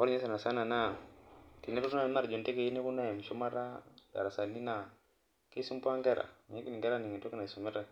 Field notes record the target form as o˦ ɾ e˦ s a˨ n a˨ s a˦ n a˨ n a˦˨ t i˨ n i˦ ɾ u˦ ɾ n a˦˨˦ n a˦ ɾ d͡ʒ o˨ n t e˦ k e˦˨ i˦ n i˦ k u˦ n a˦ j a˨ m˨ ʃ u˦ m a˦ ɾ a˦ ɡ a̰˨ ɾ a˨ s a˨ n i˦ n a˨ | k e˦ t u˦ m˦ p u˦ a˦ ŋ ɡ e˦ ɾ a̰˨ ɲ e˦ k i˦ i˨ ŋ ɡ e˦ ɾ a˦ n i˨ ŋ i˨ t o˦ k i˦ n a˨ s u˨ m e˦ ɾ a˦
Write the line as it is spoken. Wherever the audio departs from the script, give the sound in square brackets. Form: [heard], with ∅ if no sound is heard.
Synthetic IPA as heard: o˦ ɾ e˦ s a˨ n a˨ s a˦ n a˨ n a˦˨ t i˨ n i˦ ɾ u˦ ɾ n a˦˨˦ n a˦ ɾ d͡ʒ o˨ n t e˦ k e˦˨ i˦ n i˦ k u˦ n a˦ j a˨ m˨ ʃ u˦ m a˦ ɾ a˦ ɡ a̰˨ ɾ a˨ s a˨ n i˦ n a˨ | k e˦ [s] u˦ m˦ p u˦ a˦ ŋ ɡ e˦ ɾ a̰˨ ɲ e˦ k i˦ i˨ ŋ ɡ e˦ ɾ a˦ n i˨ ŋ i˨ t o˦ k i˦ n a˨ s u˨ m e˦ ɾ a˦